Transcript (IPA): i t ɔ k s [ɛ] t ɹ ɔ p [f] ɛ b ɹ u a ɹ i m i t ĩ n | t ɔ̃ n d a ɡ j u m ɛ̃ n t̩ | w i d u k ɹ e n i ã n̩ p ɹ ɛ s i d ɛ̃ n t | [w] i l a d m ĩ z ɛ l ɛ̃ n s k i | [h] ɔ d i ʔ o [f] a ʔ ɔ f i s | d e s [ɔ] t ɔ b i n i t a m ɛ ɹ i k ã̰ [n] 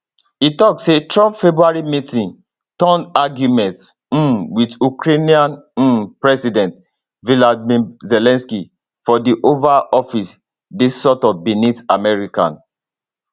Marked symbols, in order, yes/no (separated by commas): no, yes, no, no, no, yes, yes